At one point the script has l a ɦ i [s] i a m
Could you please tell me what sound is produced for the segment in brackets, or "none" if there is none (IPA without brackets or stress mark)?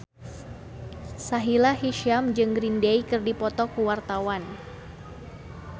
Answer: ʃ